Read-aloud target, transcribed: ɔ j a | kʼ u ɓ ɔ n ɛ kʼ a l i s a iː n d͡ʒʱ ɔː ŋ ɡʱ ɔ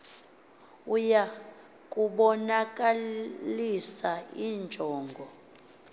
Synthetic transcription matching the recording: u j a | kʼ u ɓ ɔ n a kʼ a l i s a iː n d͡ʒʱ ɔː ŋ ɡʱ ɔ